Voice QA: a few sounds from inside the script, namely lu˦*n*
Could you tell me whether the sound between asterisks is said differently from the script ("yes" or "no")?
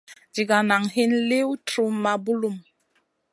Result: yes